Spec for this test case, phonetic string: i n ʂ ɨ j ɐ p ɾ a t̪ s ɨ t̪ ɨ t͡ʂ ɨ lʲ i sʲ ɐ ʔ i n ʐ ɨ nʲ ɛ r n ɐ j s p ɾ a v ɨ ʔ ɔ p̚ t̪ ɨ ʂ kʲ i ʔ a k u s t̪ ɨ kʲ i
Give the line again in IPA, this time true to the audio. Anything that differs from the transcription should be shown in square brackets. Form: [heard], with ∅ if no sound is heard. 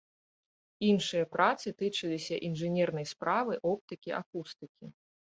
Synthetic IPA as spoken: i n ʂ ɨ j ɐ p ɾ a t̪ s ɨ t̪ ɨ t͡ʂ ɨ lʲ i sʲ ɐ ʔ i n ʐ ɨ nʲ ɛ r n ɐ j s p ɾ a v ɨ ʔ ɔ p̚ t̪ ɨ [∅] kʲ i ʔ a k u s t̪ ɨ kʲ i